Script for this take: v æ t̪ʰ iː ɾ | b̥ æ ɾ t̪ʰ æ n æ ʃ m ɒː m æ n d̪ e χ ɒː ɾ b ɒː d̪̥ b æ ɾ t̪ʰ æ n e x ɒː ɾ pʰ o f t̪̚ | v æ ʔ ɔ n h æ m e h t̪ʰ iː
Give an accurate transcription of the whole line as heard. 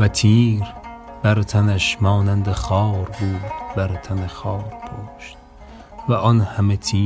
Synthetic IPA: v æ t̪ʰ iː ɾ | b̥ æ ɾ t̪ʰ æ n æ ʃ m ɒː n æ n d̪ e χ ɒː ɾ b uː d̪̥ b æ ɾ t̪ʰ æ n e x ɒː ɾ pʰ o ʃ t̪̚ | v æ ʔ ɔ n h æ m e t̪ʰ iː